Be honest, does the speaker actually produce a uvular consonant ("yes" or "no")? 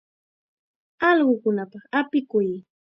yes